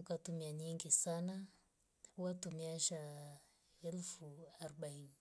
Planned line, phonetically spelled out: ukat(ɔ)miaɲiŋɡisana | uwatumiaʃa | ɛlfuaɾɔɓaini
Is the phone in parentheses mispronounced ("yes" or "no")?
yes